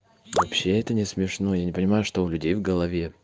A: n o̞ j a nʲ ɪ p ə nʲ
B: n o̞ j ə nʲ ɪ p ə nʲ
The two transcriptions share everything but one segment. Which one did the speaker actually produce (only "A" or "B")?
A